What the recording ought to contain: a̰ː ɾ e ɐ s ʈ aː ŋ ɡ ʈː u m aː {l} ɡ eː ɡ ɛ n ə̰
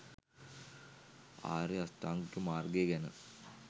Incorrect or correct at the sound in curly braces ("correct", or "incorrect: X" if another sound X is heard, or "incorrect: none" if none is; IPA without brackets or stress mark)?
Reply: incorrect: r